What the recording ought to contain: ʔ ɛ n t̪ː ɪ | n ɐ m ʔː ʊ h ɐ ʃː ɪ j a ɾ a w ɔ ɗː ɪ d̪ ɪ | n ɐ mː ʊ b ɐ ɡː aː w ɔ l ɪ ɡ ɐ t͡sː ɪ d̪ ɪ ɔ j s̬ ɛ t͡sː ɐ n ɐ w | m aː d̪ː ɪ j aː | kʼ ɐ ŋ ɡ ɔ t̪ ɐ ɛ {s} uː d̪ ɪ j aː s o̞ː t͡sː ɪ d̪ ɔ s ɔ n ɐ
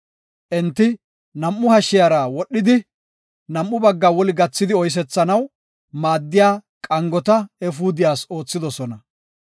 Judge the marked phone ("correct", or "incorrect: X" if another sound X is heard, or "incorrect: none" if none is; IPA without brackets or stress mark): incorrect: f